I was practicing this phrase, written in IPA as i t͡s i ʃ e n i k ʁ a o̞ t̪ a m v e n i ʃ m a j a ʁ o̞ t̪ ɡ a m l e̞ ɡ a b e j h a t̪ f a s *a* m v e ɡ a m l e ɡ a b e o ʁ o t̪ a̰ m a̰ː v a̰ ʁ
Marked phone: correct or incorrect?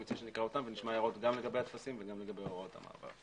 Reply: incorrect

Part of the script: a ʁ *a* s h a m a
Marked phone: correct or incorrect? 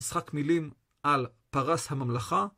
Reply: correct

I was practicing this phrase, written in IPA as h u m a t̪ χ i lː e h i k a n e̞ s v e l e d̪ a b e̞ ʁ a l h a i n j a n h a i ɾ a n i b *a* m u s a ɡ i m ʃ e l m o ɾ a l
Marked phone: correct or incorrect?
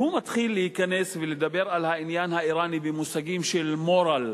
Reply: incorrect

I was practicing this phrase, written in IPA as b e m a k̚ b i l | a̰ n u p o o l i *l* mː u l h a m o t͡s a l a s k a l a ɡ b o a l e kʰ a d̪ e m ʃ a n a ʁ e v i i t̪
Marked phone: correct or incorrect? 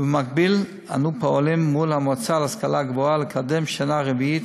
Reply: incorrect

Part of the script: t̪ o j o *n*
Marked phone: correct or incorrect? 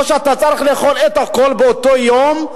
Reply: incorrect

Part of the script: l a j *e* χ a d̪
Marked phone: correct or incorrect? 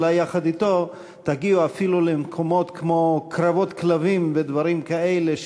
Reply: incorrect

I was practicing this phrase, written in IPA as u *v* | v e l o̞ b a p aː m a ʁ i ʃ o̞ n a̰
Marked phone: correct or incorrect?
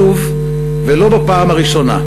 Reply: correct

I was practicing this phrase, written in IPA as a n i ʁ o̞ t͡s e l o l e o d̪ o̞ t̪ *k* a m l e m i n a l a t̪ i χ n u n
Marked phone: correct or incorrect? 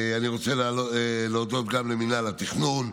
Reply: incorrect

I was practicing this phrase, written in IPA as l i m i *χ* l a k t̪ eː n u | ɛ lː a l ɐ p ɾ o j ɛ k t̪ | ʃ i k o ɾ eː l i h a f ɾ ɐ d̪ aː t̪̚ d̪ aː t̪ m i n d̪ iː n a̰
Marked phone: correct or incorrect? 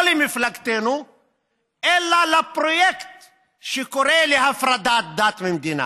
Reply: incorrect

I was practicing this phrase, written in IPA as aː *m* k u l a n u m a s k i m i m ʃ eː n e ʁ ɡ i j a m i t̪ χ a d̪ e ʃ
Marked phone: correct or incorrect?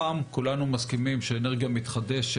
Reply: correct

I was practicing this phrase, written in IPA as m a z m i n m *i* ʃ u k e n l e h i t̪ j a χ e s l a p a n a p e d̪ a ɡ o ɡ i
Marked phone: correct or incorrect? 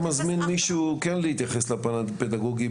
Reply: correct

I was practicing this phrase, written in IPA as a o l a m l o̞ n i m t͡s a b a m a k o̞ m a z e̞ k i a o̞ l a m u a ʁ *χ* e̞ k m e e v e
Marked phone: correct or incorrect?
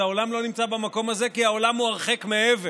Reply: correct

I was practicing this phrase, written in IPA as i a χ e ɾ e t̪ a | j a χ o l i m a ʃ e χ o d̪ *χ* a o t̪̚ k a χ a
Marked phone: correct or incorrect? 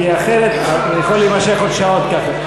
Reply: incorrect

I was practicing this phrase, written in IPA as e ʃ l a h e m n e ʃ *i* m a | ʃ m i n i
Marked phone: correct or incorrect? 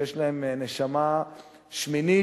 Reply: incorrect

